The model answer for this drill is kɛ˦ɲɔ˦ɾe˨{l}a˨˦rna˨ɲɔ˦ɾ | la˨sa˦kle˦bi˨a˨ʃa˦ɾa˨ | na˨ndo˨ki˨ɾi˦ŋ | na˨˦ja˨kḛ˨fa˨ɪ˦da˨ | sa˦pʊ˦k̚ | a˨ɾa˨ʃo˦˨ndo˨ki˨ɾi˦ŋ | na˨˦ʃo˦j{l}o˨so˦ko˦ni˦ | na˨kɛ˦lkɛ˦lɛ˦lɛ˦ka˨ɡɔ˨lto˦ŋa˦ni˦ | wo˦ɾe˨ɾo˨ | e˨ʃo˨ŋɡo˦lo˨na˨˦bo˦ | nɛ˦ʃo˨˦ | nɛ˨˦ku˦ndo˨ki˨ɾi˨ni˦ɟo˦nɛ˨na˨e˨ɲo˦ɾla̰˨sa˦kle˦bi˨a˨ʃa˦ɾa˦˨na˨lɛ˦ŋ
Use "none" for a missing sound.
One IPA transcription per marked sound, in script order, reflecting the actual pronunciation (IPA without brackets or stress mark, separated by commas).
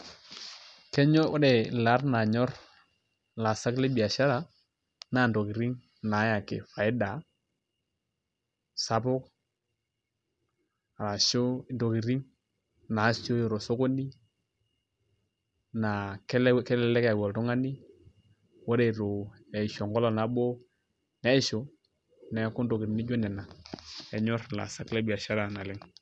l, ɾ